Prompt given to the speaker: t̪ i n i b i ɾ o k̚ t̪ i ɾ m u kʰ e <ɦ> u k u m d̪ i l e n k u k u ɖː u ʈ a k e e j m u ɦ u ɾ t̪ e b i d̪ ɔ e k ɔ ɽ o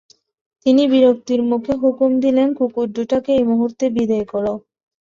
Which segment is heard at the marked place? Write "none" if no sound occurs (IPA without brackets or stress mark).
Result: ɦ